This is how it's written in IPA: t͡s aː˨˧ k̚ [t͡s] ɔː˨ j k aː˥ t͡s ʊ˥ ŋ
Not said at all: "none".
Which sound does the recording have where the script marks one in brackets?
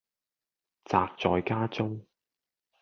t͡s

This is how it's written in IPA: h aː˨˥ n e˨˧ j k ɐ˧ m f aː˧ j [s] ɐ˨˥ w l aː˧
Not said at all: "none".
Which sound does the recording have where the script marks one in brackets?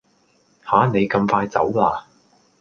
t͡s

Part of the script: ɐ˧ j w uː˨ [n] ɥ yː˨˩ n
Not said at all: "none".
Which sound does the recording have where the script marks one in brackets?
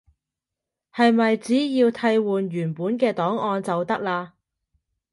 n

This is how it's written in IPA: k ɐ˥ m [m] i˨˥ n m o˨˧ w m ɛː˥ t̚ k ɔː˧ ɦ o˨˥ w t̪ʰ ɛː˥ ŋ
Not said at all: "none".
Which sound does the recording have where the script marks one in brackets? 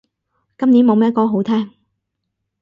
n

